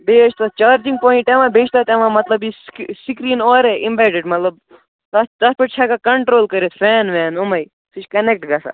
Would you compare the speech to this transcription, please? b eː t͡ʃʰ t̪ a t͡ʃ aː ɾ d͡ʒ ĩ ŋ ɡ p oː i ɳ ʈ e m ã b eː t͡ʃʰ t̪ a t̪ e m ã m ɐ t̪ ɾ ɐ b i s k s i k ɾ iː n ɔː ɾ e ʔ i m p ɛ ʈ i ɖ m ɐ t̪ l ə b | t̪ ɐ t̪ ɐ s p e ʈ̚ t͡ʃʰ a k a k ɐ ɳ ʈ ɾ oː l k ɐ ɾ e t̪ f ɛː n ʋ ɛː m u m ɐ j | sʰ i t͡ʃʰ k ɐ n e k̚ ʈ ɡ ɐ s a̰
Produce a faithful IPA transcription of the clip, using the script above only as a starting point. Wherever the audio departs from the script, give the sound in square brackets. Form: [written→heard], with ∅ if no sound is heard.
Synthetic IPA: b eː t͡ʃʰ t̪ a t͡ʃ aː ɾ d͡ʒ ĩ ŋ ɡ p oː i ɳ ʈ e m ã b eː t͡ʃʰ t̪ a t̪ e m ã m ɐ t̪ [ɾ→l] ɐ b i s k s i k ɾ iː n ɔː ɾ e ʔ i m [p→b] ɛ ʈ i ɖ m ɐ t̪ l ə b | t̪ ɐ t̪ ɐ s p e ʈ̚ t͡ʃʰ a k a k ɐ ɳ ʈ ɾ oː l k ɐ ɾ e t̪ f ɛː n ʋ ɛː [m→n] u m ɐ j | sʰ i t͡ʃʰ k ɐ n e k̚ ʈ ɡ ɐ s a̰